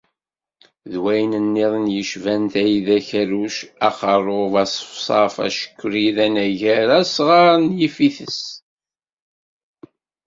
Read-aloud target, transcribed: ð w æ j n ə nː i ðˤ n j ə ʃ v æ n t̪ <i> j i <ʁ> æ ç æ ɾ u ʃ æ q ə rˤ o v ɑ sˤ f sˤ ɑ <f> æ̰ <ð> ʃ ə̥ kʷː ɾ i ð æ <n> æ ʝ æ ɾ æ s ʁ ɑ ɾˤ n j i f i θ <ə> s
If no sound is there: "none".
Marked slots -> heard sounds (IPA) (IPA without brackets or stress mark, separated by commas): æ, ð, f, none, n, ə